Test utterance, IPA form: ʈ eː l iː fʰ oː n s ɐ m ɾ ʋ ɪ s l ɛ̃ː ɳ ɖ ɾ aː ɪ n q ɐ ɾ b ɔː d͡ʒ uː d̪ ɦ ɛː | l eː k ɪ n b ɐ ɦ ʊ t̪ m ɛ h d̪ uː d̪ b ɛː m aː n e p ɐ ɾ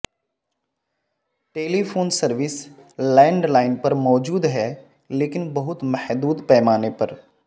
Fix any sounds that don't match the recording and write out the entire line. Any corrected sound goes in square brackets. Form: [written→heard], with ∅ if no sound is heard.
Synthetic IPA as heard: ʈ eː l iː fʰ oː n s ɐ [m→∅] ɾ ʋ ɪ s l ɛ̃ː ɳ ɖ [ɾ→l] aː ɪ n [q→p] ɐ ɾ [b→m] ɔː d͡ʒ uː d̪ ɦ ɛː | l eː k ɪ n b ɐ ɦ ʊ t̪ m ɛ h d̪ uː d̪ [b→p] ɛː m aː n e p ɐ ɾ